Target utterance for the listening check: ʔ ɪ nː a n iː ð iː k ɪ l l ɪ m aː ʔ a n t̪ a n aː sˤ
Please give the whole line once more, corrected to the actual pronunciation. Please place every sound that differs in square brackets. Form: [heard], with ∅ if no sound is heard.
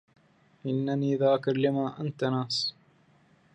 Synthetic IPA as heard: ʔ ɪ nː a n iː ð [aː] k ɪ [ɾ] l ɪ m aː ʔ a n t̪ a n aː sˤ